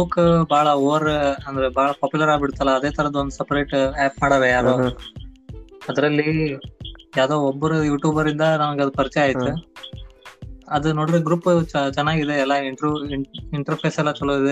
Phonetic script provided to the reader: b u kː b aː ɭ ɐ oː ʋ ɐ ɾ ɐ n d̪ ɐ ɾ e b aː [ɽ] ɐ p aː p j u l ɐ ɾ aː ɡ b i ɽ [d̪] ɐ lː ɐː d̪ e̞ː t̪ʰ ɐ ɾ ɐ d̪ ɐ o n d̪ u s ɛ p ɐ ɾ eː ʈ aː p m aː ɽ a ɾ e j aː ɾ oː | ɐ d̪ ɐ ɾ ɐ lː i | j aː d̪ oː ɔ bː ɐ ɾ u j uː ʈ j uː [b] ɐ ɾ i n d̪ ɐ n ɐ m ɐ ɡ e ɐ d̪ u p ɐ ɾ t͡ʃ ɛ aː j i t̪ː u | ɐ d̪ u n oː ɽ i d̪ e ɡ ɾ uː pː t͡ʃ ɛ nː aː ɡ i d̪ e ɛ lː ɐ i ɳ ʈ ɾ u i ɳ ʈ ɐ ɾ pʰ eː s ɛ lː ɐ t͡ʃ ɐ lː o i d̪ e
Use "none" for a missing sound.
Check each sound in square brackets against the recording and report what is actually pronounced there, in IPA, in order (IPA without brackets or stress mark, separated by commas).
ɭ, t̪, b